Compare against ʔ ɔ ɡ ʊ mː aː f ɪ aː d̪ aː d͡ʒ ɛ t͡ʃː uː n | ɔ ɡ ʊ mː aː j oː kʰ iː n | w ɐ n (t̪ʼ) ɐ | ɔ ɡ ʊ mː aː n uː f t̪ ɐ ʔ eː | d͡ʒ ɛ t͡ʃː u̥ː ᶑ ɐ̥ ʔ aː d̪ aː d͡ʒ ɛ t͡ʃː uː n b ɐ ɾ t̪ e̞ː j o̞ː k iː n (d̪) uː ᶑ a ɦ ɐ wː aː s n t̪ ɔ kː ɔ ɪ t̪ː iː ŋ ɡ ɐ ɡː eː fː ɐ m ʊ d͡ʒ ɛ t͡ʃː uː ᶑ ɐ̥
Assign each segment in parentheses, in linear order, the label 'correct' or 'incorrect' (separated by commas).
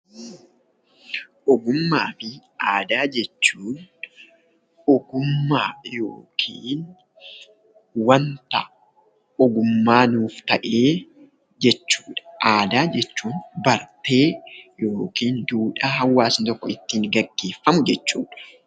incorrect, correct